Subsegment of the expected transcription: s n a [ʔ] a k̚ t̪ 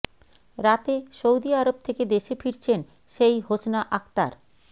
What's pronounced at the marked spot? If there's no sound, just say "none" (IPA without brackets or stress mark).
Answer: ʔ